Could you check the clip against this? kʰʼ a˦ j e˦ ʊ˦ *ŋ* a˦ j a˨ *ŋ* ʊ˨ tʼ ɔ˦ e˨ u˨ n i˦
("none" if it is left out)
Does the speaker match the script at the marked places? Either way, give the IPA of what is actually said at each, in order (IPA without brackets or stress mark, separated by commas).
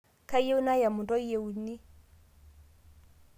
n, m